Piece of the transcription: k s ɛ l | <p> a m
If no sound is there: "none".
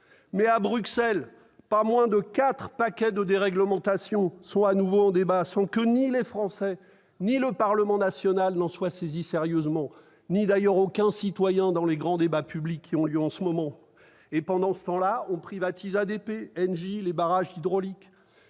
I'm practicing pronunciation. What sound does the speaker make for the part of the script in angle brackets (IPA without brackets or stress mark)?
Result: p